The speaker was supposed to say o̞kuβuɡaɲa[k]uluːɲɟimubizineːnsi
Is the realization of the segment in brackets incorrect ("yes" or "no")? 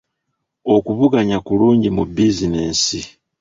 no